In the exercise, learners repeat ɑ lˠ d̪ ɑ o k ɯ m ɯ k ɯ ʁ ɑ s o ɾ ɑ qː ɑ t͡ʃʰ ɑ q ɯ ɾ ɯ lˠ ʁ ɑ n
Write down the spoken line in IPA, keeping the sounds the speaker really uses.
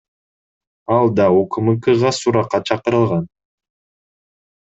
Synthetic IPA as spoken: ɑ lˠ d̪ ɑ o k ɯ m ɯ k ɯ ʁ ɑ s u ɾ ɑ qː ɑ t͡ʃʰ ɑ q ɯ ɾ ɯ lˠ ʁ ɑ n